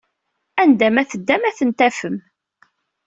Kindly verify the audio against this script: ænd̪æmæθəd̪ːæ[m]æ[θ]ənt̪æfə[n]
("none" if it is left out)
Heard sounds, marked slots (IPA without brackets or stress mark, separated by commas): m, θ, m